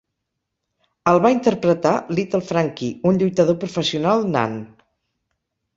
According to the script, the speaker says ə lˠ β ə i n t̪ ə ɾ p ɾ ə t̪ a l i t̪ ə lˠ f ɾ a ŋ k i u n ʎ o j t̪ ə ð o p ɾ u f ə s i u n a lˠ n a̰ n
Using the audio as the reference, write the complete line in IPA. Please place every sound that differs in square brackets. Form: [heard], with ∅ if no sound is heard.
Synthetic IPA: ə lˠ β [a] i n t̪ ə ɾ p ɾ ə t̪ a l i t̪ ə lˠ f ɾ a ŋ k i u n ʎ [u] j t̪ ə ð o p ɾ u f ə s i u n a lˠ n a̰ n